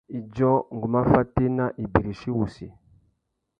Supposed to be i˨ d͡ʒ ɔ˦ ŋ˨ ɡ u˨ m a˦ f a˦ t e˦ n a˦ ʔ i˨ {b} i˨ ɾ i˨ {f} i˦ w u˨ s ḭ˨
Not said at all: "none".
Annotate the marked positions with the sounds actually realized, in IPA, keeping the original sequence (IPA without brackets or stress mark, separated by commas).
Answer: b, ʃ